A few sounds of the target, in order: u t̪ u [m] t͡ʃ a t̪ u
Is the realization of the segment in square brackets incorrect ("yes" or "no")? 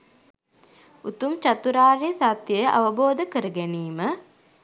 no